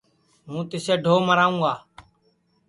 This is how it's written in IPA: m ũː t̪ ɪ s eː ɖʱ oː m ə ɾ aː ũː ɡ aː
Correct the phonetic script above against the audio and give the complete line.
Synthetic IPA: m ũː t̪ ɪ s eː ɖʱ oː m ə ɾ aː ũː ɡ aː